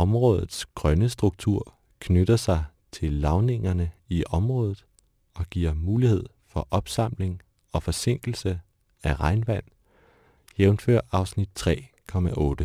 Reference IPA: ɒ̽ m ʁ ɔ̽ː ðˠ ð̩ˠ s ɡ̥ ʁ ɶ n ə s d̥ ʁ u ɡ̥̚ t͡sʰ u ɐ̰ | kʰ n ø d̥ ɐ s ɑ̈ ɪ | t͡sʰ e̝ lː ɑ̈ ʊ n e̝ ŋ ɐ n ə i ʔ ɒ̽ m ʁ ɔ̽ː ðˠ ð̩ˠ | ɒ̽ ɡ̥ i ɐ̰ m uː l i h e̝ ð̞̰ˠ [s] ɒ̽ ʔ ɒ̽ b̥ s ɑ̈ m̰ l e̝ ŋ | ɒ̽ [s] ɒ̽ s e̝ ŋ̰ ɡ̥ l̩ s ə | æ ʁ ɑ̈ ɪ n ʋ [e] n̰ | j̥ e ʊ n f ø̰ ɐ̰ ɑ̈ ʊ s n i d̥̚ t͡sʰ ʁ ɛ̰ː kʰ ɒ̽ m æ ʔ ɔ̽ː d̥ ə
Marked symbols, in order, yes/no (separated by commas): no, no, no